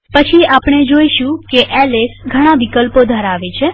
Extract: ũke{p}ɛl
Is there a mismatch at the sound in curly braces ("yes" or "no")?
yes